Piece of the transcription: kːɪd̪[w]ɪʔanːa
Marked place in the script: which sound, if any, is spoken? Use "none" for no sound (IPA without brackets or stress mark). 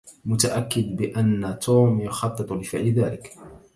b